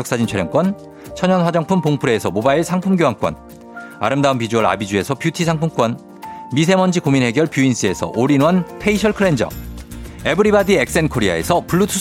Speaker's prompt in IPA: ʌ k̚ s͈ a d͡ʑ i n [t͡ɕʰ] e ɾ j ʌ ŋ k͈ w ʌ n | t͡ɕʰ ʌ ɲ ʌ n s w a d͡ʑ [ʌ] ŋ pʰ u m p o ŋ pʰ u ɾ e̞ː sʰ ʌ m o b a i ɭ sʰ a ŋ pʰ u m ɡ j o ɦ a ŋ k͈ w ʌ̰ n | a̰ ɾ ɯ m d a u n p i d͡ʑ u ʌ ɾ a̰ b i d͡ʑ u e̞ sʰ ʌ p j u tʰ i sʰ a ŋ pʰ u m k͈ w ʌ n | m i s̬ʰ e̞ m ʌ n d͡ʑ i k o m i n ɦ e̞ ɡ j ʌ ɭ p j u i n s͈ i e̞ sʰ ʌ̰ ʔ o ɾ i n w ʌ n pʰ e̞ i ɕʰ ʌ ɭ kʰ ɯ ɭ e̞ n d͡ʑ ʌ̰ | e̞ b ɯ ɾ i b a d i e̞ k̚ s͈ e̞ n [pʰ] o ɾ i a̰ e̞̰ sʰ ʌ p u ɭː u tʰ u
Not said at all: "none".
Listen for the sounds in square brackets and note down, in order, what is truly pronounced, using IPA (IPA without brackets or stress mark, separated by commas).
t͡ɕʰ, ʌ, kʰ